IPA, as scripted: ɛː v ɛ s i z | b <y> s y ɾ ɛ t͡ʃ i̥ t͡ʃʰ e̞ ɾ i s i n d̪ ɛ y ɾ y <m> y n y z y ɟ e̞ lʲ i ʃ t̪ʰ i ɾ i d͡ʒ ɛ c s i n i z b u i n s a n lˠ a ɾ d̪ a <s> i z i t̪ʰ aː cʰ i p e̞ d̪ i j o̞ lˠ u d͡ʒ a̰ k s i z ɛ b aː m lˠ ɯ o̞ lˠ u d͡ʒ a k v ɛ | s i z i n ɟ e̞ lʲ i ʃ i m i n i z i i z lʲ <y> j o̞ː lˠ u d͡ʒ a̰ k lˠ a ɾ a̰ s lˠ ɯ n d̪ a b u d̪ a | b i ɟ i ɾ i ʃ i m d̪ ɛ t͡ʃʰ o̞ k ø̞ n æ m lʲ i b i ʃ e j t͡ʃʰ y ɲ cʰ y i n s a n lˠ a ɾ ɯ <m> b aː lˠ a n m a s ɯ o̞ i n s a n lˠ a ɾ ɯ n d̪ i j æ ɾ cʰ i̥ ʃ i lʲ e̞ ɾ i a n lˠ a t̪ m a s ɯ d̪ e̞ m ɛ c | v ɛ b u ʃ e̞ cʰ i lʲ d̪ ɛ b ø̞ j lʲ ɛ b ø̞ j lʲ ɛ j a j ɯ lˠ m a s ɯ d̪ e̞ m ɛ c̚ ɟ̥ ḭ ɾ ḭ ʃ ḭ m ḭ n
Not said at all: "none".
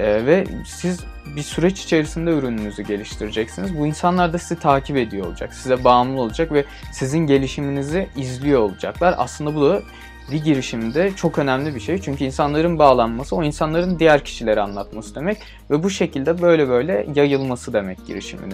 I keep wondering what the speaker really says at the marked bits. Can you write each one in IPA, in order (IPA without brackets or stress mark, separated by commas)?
i, n, s, i, n